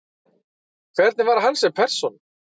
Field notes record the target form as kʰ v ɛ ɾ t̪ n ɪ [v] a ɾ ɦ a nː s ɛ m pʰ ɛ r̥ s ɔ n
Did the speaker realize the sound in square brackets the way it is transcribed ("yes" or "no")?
yes